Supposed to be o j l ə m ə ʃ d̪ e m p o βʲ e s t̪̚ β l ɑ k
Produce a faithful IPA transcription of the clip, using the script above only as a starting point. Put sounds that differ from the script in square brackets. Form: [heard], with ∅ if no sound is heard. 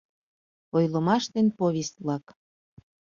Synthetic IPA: o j l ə m [ɑ] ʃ [t̪] e [n] p o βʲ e s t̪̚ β l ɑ k